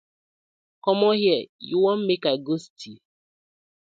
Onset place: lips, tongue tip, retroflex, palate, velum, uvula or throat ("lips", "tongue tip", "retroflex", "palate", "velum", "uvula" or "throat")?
velum